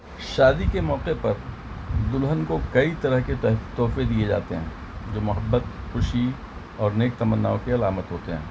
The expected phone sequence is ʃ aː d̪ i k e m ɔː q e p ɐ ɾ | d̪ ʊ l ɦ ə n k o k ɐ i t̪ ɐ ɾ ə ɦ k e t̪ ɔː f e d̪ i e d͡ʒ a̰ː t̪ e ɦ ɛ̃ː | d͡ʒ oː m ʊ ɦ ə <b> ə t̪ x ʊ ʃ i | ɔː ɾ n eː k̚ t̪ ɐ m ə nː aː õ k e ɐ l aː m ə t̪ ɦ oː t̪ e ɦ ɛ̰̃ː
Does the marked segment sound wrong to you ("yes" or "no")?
yes